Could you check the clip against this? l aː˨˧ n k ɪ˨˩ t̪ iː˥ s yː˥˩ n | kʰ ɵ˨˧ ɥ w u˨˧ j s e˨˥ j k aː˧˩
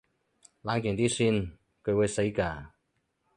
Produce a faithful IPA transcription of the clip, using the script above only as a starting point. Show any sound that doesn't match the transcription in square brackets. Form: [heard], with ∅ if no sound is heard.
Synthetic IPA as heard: l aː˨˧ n k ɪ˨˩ t̪ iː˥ s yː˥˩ n | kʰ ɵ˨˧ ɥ w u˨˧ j s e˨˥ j k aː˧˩